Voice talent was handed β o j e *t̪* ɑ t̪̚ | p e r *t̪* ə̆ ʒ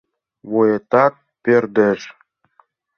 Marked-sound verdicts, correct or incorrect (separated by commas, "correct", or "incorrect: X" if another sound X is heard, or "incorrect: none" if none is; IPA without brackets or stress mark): correct, incorrect: d̪